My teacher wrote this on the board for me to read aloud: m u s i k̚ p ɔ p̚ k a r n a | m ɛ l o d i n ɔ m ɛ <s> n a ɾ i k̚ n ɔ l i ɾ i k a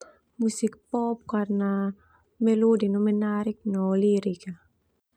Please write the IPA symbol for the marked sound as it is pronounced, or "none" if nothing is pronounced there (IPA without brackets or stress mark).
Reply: none